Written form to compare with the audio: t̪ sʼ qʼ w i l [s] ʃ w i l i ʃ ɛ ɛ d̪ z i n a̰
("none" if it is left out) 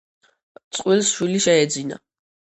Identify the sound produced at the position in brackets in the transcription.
s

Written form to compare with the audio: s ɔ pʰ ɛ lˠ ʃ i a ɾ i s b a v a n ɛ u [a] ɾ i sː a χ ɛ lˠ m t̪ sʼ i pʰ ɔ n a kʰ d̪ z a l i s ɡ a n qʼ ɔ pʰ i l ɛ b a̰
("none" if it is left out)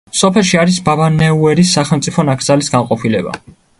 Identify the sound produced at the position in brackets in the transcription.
ɛ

